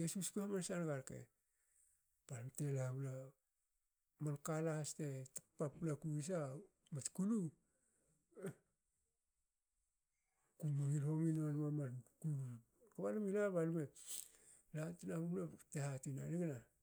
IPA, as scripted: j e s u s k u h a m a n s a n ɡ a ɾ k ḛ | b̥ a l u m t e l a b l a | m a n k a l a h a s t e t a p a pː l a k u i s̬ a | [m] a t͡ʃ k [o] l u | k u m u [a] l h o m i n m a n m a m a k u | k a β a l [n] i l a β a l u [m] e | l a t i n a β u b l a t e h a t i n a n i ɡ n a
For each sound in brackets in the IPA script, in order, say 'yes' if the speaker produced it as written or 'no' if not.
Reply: yes, no, no, no, yes

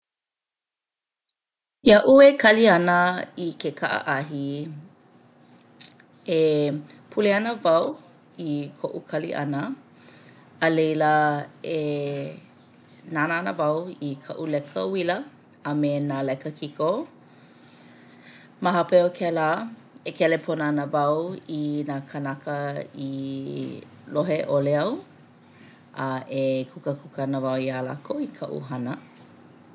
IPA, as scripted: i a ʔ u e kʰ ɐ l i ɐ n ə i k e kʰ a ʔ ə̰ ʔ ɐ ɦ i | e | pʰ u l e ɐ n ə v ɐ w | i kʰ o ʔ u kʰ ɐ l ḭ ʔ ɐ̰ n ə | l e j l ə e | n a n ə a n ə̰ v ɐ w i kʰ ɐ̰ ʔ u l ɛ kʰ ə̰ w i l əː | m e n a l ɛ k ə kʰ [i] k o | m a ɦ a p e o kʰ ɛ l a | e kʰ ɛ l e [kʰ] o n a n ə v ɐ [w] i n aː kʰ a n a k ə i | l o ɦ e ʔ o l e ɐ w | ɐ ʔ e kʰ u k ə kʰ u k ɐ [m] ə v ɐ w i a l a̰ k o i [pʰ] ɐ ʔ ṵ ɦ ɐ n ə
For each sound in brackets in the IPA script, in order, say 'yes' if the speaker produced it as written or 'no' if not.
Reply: yes, no, yes, no, no

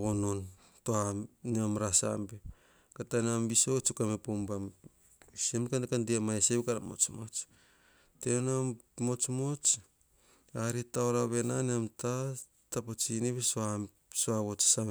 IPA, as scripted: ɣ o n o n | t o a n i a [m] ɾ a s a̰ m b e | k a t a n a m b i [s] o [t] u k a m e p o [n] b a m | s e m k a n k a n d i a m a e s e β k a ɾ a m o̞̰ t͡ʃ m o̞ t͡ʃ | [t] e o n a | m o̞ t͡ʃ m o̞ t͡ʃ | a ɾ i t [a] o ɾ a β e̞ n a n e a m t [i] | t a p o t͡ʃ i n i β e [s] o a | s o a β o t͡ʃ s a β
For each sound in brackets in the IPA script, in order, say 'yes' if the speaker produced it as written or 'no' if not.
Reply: yes, yes, no, no, yes, yes, no, yes

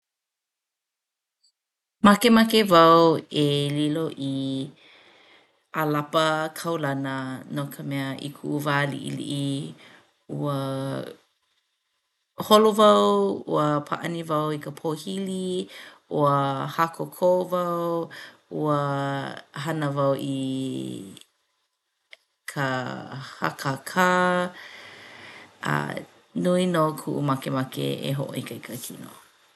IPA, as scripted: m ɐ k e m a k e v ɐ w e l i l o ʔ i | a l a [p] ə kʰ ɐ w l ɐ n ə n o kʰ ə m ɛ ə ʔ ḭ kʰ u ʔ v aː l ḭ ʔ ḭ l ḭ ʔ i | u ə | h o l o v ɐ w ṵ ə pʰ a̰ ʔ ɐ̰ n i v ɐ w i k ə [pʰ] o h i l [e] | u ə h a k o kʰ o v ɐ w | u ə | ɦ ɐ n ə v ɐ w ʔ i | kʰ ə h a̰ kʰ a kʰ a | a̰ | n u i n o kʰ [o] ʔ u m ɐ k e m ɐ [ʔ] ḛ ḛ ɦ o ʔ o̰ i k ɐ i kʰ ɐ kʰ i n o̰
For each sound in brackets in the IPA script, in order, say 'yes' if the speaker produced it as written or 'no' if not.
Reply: yes, yes, no, no, no

